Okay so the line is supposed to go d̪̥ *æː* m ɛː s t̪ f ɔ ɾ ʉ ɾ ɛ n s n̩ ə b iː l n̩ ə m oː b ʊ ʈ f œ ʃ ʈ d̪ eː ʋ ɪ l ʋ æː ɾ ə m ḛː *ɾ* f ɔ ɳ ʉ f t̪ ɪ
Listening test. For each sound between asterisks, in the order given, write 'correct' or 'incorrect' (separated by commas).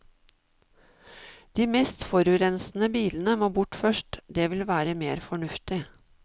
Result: incorrect, correct